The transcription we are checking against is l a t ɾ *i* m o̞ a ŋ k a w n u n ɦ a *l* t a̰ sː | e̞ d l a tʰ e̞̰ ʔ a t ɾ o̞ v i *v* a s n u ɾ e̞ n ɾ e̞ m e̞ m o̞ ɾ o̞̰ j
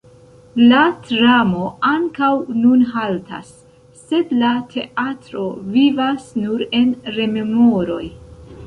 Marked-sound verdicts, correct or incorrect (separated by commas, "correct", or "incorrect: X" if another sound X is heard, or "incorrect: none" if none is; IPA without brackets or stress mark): incorrect: a, correct, correct